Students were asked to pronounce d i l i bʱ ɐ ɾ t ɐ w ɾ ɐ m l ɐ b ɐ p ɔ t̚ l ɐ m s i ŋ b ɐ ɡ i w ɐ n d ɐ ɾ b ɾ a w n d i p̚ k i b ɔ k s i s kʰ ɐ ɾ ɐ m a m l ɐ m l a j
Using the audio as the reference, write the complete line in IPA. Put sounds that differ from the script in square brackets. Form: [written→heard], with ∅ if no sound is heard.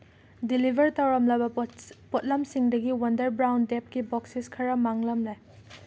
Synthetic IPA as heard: d i l i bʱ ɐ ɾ t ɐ w ɾ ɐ m l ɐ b ɐ p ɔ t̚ l ɐ m s i ŋ [b→d] ɐ ɡ i w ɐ n d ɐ ɾ b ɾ a w n d [i→e] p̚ k i b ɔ k s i s kʰ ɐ ɾ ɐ m a [m→ŋ] l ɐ m l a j